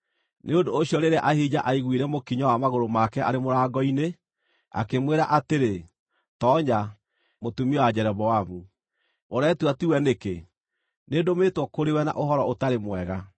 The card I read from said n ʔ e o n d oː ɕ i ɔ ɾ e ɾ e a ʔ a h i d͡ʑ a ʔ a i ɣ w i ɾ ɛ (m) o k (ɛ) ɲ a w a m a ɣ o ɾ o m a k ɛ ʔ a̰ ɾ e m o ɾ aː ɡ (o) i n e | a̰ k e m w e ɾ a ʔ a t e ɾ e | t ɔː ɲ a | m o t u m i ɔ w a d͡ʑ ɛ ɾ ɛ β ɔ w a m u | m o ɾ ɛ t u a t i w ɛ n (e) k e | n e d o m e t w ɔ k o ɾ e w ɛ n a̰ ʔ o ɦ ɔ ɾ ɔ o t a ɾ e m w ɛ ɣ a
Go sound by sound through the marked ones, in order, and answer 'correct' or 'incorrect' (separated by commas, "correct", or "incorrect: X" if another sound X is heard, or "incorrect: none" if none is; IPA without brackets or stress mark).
correct, incorrect: i, incorrect: ɔ, correct